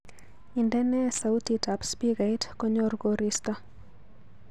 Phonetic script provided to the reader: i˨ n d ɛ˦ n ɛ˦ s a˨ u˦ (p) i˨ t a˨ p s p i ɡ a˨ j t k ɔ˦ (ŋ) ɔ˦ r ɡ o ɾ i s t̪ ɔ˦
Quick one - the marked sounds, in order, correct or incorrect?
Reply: incorrect, incorrect

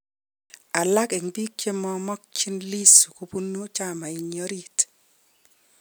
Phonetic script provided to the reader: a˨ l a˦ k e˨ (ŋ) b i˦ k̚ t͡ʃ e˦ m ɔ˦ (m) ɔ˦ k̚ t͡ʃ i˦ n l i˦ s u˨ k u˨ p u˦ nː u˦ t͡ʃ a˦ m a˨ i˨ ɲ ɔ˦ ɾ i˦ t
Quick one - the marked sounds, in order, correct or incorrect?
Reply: correct, correct

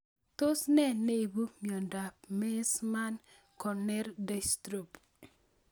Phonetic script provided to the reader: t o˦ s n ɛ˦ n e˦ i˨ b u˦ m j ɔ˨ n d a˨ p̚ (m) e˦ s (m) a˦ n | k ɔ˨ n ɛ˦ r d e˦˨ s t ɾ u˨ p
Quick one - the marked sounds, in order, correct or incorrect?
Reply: correct, correct

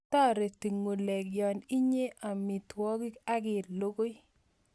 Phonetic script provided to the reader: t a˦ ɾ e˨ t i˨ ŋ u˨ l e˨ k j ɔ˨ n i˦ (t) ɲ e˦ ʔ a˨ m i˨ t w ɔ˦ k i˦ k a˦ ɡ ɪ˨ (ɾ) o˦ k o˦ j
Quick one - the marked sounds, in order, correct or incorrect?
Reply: incorrect, incorrect

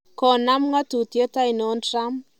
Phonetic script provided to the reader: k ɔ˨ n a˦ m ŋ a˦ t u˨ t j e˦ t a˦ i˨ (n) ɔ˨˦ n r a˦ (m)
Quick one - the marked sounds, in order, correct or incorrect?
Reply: correct, correct

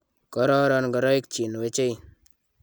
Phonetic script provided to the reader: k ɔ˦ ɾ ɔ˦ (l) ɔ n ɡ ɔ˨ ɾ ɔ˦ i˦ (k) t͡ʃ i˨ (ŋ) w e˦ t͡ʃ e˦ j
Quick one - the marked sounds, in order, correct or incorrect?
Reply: incorrect, correct, incorrect

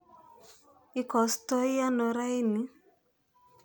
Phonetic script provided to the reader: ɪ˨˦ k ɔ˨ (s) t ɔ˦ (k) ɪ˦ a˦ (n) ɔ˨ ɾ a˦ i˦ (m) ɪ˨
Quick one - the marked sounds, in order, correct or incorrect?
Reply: correct, incorrect, correct, incorrect

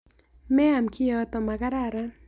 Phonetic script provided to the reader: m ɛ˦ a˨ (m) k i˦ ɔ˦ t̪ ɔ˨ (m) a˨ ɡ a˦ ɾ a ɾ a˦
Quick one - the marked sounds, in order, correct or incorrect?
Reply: correct, correct

